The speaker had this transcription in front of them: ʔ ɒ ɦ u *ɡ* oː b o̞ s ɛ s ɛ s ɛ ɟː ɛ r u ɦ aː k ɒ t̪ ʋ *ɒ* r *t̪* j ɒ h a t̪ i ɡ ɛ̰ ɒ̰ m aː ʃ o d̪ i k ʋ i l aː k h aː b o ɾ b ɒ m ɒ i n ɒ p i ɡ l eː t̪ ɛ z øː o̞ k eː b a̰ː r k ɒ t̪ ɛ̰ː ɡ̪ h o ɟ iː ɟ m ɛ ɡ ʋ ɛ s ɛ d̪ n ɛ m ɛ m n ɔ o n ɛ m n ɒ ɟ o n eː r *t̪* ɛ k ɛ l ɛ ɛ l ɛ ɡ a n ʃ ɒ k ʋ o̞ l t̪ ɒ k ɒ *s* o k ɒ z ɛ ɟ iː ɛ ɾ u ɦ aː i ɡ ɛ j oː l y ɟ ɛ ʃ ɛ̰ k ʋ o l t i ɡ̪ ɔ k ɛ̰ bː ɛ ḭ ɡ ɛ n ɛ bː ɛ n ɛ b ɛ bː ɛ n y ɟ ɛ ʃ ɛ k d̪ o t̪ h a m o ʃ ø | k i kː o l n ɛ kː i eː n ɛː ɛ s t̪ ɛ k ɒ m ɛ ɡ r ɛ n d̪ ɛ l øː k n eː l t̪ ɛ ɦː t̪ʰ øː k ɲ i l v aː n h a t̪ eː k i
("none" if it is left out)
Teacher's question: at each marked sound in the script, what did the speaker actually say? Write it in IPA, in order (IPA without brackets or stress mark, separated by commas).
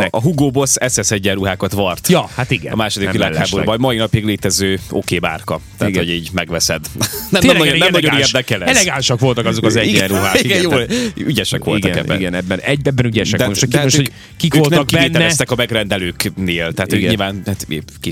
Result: ɡ, ɒ, t̪, d̪, z